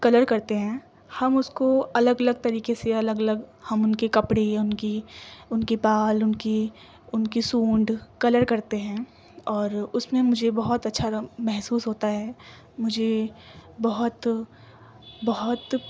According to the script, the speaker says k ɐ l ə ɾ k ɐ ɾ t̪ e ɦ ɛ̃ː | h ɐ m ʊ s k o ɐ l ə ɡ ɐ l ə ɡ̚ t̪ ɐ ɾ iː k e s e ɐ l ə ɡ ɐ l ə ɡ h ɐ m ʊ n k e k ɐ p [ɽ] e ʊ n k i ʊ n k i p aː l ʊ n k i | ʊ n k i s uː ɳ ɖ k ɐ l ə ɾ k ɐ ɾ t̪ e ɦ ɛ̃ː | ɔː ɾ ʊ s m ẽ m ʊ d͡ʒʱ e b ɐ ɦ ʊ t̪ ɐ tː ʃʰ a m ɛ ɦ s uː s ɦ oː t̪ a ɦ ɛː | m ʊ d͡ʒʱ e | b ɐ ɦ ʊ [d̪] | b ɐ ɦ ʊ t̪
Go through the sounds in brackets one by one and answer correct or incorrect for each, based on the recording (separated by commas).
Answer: correct, incorrect